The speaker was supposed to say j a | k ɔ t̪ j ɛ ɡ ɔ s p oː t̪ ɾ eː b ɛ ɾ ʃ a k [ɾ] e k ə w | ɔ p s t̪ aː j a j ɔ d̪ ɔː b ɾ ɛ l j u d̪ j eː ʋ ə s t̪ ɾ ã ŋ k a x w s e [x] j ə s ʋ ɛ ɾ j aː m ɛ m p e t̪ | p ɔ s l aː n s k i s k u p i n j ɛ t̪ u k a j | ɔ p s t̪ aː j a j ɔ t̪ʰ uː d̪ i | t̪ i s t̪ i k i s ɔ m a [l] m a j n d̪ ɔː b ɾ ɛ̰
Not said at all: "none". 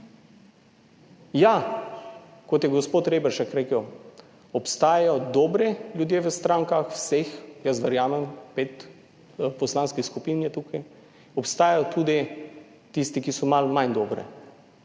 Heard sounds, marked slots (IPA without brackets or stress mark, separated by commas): ɾ, x, l